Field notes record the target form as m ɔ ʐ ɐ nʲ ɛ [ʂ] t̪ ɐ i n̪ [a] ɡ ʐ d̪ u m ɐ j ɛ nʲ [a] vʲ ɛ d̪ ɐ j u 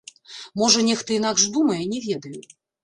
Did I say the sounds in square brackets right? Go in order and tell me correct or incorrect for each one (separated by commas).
incorrect, correct, incorrect